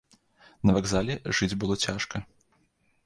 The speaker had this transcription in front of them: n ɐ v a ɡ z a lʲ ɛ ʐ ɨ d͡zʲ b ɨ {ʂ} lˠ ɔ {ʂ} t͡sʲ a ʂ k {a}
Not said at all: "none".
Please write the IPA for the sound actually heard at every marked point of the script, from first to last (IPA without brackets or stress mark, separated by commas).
none, none, ɐ